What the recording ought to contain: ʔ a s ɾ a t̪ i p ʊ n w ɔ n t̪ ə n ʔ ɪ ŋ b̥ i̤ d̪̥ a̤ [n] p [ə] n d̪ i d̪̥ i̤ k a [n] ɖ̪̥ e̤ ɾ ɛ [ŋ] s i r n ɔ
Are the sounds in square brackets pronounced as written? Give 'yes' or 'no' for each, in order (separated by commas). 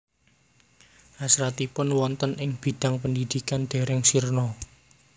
no, yes, yes, yes